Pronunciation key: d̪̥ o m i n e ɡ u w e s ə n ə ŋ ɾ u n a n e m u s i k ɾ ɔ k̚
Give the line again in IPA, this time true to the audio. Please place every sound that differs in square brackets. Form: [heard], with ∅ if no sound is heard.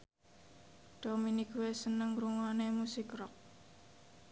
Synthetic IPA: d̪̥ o m i n [i] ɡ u w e s ə n ə ŋ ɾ u [ŋ] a n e m u s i k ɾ ɔ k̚